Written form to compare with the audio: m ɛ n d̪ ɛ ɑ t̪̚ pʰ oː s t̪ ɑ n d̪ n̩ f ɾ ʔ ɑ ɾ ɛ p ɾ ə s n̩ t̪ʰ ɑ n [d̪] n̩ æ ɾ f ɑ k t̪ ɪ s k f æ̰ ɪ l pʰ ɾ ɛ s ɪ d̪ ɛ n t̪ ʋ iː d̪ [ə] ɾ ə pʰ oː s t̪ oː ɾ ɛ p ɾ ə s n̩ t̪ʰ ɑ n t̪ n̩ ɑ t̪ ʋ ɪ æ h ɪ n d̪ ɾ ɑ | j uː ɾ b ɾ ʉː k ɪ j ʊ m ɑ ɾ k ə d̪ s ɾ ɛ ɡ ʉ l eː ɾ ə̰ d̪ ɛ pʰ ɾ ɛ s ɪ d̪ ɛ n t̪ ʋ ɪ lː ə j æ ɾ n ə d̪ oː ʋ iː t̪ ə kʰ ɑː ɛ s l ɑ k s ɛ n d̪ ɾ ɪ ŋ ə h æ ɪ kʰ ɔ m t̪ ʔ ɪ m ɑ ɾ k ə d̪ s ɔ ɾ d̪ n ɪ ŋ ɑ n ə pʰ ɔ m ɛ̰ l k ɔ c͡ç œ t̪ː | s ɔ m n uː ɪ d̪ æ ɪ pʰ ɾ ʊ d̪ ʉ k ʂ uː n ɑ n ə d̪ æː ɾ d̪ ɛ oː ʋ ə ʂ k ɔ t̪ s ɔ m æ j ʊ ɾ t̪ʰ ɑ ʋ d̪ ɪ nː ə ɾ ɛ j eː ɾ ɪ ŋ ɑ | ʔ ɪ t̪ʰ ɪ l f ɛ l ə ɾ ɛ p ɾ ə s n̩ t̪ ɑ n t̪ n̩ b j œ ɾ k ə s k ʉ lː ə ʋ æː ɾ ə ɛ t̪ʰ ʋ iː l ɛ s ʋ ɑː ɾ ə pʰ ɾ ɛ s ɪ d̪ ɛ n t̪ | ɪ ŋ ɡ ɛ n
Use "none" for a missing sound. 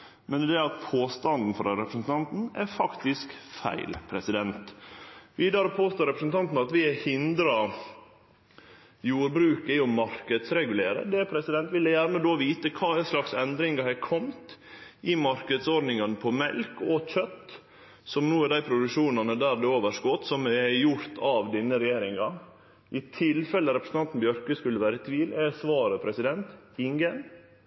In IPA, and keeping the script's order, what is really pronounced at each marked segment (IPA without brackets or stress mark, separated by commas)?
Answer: t̪, ɑ